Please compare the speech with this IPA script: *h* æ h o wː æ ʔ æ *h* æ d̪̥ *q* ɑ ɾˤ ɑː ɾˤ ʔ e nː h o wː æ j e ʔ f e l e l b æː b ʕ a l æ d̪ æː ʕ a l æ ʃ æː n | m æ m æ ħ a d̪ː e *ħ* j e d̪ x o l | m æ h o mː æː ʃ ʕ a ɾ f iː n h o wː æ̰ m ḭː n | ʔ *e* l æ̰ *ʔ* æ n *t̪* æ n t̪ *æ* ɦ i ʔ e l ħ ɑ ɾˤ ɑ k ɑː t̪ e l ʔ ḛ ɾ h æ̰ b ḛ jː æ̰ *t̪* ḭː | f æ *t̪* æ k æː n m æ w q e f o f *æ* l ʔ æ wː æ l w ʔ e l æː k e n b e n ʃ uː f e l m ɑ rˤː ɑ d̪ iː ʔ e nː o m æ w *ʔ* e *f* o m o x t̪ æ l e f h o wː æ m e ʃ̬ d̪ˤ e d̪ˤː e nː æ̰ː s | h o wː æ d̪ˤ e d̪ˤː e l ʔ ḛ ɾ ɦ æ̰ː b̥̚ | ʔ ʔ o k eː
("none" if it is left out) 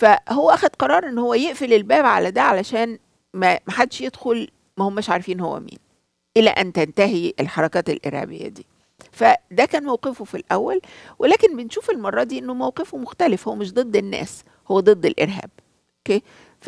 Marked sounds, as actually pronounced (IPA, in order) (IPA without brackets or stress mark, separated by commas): f, x, q, ʃ, e, ʔ, t̪, æ, d̪, d̪, i, q, f